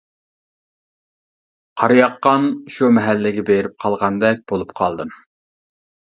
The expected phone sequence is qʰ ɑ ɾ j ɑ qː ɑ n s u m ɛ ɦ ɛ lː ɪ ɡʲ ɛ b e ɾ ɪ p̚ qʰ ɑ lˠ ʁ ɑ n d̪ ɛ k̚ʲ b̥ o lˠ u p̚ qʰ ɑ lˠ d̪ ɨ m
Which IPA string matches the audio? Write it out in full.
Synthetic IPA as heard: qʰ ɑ ɾ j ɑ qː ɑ n ʃ u m ɛ ɦ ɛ lː ɪ ɡʲ ɛ b e ɾ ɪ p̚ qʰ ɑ lˠ ʁ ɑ n d̪ ɛ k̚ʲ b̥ o lˠ u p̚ qʰ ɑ lˠ d̪ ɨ m